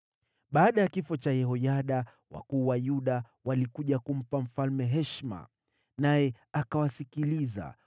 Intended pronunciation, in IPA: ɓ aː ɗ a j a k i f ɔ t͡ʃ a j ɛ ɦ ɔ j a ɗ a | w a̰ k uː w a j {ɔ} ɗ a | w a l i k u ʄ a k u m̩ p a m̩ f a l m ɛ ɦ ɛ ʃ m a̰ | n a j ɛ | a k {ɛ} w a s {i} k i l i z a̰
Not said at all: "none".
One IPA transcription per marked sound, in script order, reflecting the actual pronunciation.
u, a, i

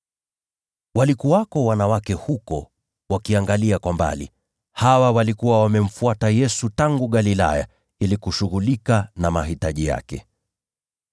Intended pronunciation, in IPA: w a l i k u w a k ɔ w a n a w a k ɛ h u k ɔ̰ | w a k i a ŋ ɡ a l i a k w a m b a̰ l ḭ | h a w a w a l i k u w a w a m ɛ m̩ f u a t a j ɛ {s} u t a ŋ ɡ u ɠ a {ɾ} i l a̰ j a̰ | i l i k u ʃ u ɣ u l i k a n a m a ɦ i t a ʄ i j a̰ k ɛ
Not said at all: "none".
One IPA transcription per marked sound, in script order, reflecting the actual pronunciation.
s, l

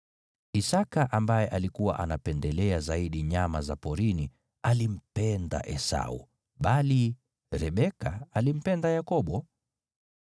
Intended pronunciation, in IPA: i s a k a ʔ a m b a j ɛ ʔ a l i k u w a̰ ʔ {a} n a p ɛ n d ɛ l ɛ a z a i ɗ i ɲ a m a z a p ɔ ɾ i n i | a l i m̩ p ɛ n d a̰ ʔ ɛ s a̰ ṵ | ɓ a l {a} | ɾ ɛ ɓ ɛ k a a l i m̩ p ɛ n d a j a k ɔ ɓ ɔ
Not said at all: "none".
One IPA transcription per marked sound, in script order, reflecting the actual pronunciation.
a, i

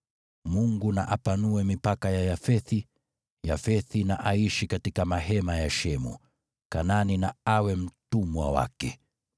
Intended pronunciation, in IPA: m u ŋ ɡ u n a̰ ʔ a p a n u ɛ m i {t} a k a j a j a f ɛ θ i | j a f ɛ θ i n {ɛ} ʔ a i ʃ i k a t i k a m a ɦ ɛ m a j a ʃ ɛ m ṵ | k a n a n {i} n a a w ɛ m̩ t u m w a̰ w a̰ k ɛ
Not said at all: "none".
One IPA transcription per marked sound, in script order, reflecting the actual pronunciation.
p, a, i

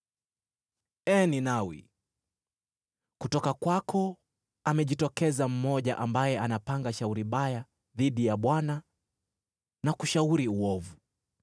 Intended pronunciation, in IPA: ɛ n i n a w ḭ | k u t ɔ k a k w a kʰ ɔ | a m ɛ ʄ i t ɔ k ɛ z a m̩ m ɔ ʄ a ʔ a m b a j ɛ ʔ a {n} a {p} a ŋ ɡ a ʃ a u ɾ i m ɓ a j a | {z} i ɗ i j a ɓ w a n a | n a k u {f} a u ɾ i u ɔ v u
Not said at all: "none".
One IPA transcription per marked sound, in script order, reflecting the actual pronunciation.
n, p, ð, ʃ

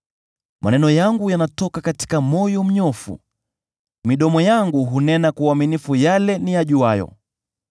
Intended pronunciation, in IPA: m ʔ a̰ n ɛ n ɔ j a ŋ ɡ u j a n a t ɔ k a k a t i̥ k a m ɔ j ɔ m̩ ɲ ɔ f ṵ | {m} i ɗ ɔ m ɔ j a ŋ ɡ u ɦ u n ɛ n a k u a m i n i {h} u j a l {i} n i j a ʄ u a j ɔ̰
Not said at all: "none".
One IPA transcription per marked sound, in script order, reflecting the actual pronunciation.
m, f, ɛ

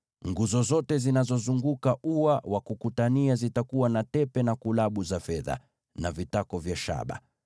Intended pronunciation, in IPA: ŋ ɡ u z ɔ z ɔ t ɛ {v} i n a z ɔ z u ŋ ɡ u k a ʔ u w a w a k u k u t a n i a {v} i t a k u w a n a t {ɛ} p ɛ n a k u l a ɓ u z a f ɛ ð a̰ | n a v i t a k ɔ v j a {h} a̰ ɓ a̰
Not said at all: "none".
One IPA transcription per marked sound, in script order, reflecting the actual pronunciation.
z, z, ɛ, ʃ

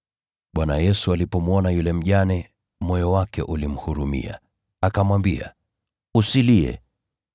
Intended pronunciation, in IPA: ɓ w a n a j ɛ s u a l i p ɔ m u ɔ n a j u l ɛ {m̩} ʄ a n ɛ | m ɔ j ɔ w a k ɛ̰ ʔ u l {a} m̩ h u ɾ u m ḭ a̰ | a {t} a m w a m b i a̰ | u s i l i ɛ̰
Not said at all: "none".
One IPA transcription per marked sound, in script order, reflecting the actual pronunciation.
m̩, i, k

